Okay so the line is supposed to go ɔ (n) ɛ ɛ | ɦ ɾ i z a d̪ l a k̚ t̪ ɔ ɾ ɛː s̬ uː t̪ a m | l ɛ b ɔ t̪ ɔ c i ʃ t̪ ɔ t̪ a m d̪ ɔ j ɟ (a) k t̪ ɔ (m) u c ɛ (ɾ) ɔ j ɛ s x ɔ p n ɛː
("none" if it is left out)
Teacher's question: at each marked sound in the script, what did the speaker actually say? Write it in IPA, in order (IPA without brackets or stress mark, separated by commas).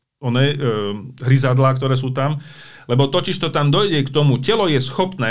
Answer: n, ɛ, m, l